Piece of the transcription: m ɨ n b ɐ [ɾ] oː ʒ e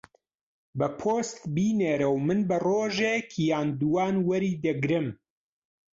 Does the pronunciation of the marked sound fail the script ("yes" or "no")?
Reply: yes